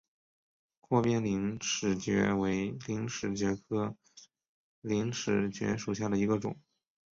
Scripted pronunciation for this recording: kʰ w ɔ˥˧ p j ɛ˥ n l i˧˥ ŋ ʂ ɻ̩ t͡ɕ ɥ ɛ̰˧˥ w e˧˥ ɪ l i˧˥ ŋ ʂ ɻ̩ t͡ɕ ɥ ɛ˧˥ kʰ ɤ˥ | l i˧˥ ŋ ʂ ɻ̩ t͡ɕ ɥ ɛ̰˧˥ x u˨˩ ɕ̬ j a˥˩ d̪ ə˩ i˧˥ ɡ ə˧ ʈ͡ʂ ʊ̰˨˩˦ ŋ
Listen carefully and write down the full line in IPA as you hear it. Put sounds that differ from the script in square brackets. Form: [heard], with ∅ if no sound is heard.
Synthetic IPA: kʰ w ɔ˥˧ p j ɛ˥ n l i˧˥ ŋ ʂ ɻ̩ t͡ɕ ɥ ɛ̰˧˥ w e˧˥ ɪ l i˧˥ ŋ ʂ ɻ̩ t͡ɕ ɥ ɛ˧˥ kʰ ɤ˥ | l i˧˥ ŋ ʂ ɻ̩ t͡ɕ ɥ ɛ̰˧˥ [ʂ] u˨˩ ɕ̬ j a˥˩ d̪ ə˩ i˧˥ ɡ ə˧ ʈ͡ʂ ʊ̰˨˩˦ ŋ